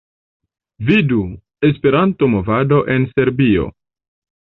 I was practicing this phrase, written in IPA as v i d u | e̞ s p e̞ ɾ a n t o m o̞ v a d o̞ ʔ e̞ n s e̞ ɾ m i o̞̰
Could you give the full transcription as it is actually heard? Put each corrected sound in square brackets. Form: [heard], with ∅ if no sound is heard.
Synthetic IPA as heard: v i d u | e̞ s p e̞ ɾ a n t o m o̞ v a d o̞ ʔ e̞ n s e̞ ɾ [b] i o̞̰